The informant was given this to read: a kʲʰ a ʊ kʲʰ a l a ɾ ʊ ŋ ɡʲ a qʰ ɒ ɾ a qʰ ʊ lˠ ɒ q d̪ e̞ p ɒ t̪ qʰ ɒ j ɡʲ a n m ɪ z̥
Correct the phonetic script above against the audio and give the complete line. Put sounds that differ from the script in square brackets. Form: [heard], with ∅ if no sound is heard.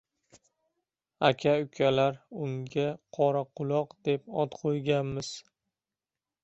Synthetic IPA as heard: a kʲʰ a ʊ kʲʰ a l a ɾ ʊ ŋ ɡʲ a qʰ ɒ ɾ a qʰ ʊ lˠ ɒ q d̪ e̞ p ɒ t̪ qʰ [o] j ɡʲ a n m ɪ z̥